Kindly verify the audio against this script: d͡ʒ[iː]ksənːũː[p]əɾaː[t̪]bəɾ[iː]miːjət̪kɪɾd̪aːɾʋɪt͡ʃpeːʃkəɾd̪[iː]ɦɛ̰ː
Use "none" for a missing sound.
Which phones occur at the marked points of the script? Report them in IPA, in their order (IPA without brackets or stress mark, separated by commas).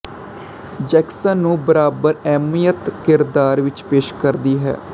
ɛː, b, none, ɛː, iː